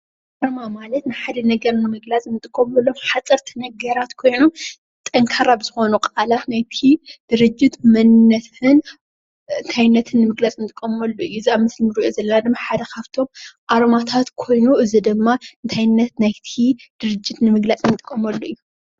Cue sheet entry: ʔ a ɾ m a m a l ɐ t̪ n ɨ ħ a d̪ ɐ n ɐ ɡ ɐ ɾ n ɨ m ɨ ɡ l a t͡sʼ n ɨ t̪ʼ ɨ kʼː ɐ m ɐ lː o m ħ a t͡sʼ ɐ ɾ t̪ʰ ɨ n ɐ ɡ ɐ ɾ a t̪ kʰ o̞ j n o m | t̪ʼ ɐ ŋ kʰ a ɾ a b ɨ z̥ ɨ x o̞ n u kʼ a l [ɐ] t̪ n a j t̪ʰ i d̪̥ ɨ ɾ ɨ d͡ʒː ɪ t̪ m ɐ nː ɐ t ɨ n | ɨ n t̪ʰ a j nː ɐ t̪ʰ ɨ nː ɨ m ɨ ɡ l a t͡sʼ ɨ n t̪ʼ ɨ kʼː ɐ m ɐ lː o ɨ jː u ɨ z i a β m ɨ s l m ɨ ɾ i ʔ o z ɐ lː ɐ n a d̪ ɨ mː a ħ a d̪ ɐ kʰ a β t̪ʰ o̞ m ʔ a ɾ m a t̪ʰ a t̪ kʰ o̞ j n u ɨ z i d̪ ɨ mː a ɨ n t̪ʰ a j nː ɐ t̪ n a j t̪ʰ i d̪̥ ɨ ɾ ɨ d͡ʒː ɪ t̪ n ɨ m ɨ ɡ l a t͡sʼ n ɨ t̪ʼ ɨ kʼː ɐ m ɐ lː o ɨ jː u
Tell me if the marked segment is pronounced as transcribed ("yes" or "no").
no